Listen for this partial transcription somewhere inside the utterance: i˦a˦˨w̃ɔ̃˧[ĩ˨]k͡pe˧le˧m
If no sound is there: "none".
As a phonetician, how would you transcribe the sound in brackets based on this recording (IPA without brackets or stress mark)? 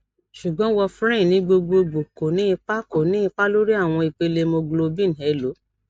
i˨